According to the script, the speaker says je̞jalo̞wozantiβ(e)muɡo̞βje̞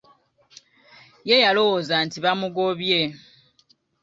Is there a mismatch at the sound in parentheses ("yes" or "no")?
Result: yes